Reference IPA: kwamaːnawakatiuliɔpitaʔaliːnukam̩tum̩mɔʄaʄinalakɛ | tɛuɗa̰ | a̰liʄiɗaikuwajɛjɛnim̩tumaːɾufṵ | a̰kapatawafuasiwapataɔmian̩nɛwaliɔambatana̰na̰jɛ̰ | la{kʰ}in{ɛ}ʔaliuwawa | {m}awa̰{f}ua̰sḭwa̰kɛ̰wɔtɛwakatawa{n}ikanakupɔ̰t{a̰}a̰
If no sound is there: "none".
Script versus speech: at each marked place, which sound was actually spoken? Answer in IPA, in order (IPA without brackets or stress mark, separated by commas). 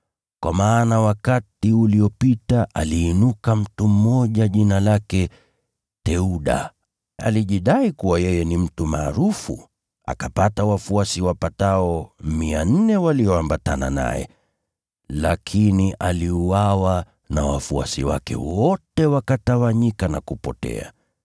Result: kʰ, i, n, f, ɲ, ɛ̰